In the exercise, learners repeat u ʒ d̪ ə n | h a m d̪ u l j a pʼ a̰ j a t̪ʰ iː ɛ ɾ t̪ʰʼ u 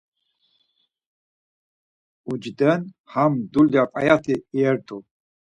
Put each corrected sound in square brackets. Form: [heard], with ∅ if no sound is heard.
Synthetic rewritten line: u [d͡ʒ] d̪ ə n | h a m d̪ u l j a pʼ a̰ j a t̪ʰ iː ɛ ɾ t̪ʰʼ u